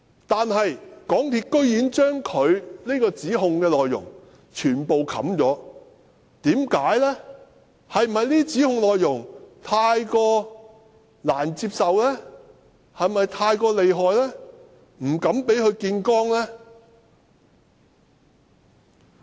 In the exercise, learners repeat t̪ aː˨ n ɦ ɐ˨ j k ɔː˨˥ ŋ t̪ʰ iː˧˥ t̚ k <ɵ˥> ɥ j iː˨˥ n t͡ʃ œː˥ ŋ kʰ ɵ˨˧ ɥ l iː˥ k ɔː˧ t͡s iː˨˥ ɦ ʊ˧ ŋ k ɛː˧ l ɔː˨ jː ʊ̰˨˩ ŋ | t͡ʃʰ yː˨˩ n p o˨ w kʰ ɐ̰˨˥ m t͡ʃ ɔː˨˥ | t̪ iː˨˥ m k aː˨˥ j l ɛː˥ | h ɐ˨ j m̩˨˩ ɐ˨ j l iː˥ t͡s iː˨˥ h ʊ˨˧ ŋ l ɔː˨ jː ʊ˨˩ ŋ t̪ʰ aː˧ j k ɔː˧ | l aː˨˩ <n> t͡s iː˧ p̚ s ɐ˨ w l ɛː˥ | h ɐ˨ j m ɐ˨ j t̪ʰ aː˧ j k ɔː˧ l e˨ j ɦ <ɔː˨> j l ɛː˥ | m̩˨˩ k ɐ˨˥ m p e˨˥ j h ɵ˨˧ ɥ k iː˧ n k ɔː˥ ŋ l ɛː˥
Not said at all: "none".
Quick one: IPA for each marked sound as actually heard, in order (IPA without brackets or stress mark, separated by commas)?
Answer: ɵ˥, n, ɔː˨